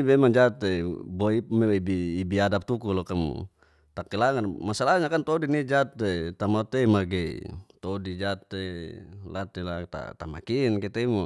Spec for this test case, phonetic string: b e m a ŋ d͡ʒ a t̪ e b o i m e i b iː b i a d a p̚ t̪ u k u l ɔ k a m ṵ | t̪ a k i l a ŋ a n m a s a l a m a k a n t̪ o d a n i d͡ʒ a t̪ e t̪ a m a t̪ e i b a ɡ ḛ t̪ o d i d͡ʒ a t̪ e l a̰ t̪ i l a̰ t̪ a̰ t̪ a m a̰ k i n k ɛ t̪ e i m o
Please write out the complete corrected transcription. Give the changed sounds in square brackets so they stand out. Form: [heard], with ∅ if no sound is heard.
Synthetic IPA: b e m a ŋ d͡ʒ a t̪ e b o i m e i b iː b i a d a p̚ t̪ u k u l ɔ k a m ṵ | t̪ a k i l a ŋ a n m a s a l a [ɲ] a k a n t̪ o d [i] n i d͡ʒ a t̪ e t̪ a m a t̪ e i [m] a ɡ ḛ t̪ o d i d͡ʒ a t̪ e l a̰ t̪ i l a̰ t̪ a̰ t̪ a m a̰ k i n k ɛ t̪ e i m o